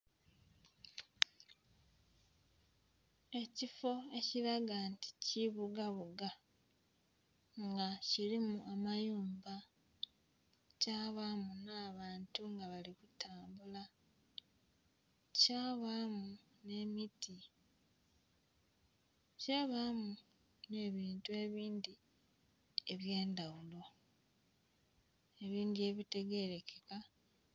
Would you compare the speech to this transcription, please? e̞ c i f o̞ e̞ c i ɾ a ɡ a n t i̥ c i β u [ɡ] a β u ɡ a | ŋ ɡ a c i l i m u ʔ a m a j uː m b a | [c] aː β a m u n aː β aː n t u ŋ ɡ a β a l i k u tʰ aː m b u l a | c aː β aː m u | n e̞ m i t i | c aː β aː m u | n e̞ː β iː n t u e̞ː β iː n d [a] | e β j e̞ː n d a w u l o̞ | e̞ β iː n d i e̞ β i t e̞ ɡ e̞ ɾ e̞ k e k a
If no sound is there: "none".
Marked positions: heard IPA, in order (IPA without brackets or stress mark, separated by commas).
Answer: ɡ, c, i